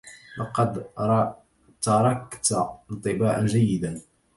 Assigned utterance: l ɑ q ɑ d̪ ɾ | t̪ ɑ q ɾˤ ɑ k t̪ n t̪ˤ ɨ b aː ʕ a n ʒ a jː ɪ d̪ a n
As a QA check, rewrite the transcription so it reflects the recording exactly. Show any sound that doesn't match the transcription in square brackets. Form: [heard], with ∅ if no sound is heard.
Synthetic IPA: l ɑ q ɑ d̪ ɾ | t̪ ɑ [∅] ɾˤ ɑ k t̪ n t̪ˤ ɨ b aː ʕ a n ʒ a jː ɪ d̪ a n